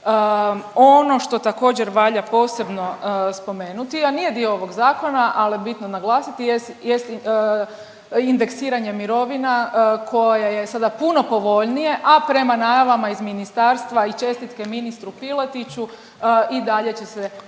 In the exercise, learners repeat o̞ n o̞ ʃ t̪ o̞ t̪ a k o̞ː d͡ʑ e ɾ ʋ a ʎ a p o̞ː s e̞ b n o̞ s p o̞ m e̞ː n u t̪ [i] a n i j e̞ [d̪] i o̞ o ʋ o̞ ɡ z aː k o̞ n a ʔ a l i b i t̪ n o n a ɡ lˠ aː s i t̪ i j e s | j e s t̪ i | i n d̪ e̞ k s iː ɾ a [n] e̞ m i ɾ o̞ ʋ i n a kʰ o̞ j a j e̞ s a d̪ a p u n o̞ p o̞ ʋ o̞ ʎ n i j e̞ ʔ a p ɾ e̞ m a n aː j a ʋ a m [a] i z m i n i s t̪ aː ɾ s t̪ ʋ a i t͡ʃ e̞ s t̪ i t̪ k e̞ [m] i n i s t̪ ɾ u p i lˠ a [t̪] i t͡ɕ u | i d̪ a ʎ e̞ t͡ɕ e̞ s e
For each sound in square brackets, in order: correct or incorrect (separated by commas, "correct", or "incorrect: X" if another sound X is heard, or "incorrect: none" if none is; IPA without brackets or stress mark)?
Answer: correct, correct, incorrect: ɲ, correct, correct, correct